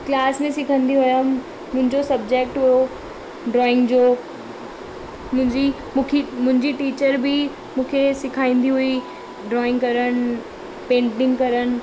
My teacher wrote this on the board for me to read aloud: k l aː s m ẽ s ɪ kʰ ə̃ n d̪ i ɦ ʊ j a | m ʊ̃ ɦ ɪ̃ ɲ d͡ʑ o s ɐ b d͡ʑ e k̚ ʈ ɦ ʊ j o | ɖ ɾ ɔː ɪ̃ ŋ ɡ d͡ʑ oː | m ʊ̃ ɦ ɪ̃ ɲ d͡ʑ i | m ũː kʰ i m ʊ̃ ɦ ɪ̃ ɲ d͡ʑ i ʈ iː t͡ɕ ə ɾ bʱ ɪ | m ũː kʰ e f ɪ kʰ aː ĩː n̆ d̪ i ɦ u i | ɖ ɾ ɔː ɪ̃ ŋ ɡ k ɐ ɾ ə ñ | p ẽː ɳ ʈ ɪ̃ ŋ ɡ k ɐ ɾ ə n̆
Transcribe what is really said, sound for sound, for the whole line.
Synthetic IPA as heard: k l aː s m ẽ s ɪ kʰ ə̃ n d̪ i ɦ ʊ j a | m ʊ̃ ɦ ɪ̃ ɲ d͡ʑ o s ɐ b d͡ʑ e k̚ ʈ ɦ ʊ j o | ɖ ɾ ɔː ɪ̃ ŋ ɡ d͡ʑ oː | m ʊ̃ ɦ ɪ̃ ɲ d͡ʑ i | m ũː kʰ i m ʊ̃ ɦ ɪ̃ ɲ d͡ʑ i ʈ iː t͡ɕ ə ɾ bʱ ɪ | m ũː kʰ e s ɪ kʰ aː ĩː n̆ d̪ i ɦ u i | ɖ ɾ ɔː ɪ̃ ŋ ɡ k ɐ ɾ ə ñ | p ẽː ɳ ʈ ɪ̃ ŋ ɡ k ɐ ɾ ə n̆